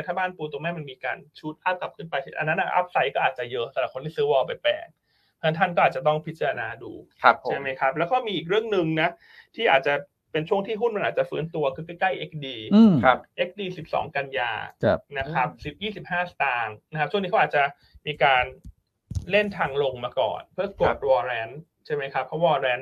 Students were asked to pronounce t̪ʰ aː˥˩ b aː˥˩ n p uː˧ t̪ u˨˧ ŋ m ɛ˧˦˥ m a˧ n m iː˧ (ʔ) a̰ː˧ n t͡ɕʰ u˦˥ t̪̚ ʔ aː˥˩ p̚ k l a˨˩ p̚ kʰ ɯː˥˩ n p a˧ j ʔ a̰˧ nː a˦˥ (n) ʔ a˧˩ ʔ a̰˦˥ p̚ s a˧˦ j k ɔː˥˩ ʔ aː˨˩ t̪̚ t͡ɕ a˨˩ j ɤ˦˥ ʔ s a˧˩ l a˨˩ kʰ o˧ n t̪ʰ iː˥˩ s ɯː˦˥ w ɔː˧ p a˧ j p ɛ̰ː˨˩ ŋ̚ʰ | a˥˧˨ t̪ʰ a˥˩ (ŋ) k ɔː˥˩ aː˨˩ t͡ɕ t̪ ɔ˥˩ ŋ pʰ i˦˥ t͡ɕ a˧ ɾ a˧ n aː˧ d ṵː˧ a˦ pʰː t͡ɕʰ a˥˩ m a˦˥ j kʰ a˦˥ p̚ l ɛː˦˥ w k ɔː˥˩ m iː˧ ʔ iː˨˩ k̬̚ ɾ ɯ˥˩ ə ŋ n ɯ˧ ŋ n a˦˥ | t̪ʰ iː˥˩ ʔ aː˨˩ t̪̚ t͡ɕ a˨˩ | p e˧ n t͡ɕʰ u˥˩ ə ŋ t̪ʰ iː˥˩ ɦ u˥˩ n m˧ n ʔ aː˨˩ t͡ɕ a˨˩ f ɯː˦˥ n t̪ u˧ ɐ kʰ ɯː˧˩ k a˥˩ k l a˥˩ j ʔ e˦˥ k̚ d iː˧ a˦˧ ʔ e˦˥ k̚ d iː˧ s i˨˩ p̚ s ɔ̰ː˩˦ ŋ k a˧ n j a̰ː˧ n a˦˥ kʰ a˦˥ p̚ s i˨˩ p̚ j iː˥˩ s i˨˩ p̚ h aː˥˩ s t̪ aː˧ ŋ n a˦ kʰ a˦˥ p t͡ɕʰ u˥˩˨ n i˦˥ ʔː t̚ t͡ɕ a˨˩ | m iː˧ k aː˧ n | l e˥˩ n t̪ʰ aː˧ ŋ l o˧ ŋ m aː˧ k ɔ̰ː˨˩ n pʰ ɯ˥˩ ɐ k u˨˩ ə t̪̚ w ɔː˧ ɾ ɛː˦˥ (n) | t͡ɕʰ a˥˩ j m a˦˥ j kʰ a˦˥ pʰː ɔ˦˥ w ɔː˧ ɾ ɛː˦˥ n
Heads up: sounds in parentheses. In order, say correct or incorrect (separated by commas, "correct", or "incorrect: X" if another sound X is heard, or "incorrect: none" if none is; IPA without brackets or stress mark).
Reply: incorrect: k, correct, incorrect: n, correct